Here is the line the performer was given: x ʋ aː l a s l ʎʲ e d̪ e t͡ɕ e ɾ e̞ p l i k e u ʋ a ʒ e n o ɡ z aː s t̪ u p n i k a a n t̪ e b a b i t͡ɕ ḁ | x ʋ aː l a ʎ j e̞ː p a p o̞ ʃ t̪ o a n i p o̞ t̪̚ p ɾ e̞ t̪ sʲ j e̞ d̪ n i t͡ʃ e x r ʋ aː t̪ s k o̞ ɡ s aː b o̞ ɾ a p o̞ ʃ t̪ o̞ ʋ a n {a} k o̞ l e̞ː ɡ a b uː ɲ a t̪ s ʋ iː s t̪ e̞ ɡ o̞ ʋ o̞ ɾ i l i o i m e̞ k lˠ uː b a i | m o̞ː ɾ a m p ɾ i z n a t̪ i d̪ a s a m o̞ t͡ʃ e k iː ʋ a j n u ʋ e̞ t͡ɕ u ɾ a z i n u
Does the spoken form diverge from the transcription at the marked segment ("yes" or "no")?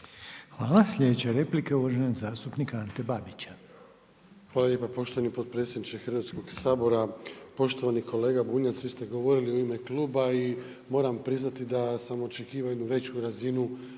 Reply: yes